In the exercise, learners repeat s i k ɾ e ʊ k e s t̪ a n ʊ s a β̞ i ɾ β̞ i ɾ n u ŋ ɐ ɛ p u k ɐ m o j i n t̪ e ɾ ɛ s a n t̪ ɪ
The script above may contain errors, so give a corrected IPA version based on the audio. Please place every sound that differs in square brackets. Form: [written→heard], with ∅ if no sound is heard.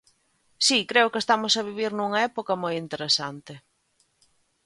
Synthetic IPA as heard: s i k ɾ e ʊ k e s t̪ a [n→m] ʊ s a β̞ i [ɾ→∅] β̞ i ɾ n u ŋ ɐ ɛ p [u→o] k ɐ m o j i n t̪ e ɾ [ɛ→e] s a n t̪ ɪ